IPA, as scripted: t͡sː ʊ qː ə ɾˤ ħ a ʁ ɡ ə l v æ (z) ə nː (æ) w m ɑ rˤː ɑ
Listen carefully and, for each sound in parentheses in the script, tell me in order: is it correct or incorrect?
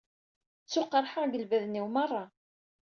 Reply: incorrect, incorrect

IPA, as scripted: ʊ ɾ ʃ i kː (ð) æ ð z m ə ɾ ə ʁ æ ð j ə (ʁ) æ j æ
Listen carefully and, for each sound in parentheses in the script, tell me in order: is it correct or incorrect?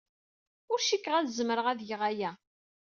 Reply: incorrect, correct

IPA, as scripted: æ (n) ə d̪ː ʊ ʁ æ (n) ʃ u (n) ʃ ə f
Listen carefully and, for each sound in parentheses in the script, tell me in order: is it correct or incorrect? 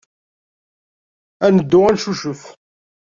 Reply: correct, correct, incorrect

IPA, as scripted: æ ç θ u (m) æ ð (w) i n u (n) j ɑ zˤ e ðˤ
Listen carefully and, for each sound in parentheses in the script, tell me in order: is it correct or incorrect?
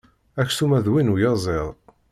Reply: correct, correct, incorrect

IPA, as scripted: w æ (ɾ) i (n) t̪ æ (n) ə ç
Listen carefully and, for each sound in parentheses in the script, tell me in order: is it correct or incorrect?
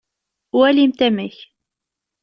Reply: incorrect, incorrect, incorrect

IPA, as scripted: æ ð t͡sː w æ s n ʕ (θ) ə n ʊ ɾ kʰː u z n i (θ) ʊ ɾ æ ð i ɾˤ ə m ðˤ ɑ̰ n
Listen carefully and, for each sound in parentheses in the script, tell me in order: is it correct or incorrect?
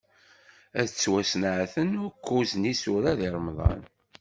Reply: correct, incorrect

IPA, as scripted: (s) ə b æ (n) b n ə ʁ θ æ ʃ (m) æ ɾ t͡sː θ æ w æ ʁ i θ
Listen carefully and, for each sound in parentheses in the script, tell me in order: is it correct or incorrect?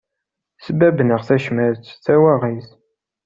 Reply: correct, incorrect, correct

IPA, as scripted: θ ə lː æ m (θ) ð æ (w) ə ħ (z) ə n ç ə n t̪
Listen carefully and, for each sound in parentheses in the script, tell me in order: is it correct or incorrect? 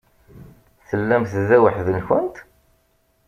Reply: correct, correct, incorrect

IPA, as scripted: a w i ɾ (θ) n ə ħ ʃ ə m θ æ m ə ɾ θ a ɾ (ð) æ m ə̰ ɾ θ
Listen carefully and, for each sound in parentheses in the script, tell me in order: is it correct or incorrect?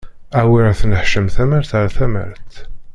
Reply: correct, incorrect

